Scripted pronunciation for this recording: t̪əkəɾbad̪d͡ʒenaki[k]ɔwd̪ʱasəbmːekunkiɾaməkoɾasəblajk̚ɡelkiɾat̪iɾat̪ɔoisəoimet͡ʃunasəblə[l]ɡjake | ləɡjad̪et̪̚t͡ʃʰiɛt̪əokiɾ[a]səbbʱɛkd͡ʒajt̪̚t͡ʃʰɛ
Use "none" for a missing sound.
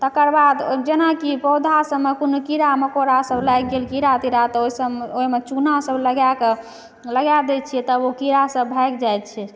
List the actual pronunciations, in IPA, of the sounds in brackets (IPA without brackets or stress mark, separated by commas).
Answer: p, none, a